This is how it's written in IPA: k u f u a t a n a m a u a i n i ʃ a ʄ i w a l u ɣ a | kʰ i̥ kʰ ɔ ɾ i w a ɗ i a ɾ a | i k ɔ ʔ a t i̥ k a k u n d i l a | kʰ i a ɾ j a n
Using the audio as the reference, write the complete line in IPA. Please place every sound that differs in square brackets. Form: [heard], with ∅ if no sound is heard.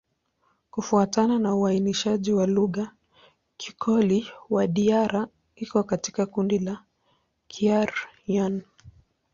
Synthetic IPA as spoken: k u f u a t a n a [n] a u a i n i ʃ a ʄ i w a l u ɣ a | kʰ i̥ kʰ ɔ [l] i w a ɗ i a ɾ a | i k ɔ [k] a t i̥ k a k u n d i l a | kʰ i a ɾ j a n